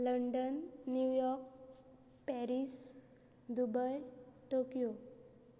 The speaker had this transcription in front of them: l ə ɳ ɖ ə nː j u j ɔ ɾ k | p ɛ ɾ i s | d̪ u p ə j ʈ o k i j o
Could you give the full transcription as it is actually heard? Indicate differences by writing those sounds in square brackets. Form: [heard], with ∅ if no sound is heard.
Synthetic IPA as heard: l ə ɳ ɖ ə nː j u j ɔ ɾ k | p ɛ ɾ i s | d̪ u [b] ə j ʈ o k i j o

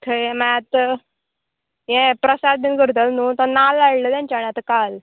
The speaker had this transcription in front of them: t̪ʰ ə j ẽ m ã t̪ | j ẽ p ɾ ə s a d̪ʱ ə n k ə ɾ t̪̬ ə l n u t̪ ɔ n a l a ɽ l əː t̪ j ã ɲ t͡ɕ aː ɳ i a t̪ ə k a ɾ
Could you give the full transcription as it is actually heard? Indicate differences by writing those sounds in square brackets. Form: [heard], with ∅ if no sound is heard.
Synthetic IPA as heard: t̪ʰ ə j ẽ m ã t̪ | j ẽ p ɾ ə s a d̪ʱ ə n k ə ɾ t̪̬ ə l n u t̪ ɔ n a l a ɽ l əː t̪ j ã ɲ t͡ɕ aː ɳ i a t̪ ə k a [l]

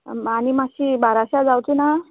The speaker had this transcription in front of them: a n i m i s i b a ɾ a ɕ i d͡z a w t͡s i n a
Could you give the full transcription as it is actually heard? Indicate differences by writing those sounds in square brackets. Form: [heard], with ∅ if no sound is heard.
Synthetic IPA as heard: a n i m [a] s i b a ɾ a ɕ [a] d͡z a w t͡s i n a

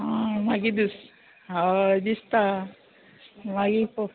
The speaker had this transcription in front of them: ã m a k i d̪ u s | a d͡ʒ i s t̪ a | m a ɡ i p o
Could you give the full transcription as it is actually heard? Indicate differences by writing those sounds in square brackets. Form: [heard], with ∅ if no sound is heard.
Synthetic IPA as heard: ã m a [ɡ] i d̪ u s | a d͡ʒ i s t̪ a | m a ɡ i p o

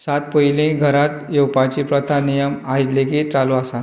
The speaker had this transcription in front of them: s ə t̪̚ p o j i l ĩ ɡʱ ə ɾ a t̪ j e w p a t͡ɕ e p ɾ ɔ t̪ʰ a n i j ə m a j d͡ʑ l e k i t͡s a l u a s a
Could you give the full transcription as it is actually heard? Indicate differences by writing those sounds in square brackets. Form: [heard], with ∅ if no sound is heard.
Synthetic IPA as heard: s [a] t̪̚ p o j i l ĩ ɡʱ ə ɾ a t̪ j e w p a t͡ɕ [i] p ɾ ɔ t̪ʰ a n i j ə m a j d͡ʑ l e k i t͡s a l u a s a

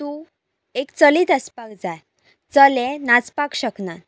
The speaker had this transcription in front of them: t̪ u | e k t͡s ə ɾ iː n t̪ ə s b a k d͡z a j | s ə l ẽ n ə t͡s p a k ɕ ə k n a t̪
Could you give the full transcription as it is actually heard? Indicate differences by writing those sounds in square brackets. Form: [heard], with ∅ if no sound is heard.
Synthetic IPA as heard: t̪ u | e k t͡s ə [l] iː [∅] t̪ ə s [p] a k d͡z a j | [t͡s] ə l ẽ n [a] t͡s p a k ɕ ə k n a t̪

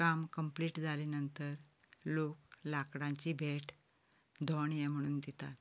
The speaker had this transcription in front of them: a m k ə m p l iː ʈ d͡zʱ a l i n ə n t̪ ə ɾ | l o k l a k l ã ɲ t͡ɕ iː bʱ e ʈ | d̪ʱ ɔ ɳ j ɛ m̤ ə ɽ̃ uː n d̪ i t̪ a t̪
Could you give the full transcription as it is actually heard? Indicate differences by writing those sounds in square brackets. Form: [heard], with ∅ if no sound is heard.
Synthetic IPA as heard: a m k ə m p l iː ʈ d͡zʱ a l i n ə n t̪ ə ɾ | l o k l a k [ɽ] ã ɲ t͡ɕ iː bʱ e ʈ | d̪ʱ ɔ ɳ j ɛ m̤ ə ɽ̃ uː n d̪ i t̪ a t̪

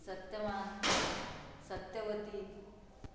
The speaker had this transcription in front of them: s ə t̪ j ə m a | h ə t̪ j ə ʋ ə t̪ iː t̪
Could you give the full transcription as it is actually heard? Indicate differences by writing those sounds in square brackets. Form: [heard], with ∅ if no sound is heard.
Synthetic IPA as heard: s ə t̪ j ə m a | [s] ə t̪ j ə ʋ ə t̪ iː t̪

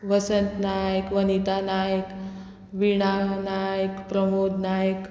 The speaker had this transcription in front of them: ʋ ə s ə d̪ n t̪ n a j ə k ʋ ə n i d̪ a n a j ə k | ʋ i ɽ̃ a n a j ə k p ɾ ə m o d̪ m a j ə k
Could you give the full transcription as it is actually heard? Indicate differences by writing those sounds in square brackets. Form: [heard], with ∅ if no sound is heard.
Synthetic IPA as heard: ʋ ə s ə [∅] n t̪ n a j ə k ʋ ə n i [t̪] a n a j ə k | ʋ i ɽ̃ a n a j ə k p ɾ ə m o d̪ [n] a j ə k

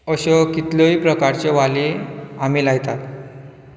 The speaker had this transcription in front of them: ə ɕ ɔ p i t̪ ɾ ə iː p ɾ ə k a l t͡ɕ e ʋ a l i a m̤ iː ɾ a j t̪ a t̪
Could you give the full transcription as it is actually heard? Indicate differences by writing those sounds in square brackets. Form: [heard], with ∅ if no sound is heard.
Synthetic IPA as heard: ə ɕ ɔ [k] i t̪ [l] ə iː p ɾ ə k a [ɾ] t͡ɕ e ʋ a l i a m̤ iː [l] a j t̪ a t̪

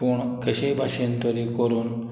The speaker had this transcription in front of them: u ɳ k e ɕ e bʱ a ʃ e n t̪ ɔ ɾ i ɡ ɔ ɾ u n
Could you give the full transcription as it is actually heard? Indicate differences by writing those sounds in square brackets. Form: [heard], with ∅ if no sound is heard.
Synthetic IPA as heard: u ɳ k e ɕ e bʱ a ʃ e n t̪ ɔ ɾ i [k] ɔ ɾ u n

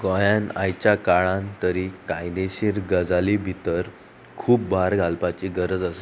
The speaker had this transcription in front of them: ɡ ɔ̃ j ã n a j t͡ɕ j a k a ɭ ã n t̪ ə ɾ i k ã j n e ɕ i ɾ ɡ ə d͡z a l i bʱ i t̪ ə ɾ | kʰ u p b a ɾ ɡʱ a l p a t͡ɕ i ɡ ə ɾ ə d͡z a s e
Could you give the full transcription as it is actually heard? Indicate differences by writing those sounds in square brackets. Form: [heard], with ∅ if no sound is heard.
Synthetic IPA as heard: ɡ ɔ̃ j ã n a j t͡ɕ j a k a ɭ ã n t̪ ə ɾ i k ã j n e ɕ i ɾ ɡ ə d͡z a l i bʱ i t̪ ə ɾ | kʰ [uː] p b a ɾ ɡʱ a l p a t͡ɕ i ɡ ə ɾ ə d͡z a s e

